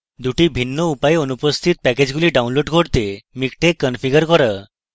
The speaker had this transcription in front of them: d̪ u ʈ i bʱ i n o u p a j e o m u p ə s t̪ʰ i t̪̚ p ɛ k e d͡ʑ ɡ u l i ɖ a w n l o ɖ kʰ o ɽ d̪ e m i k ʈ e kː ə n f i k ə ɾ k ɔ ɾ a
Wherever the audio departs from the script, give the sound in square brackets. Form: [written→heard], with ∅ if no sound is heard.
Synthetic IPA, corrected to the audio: d̪ u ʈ i bʱ i [n→nː] o u p a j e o [m→n] u p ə s t̪ʰ i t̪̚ p ɛ k e d͡ʑ ɡ u l i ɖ a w n l o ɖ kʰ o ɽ [d̪→t̪] e m i k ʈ e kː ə n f i [k→ɡ] ə ɾ k ɔ ɾ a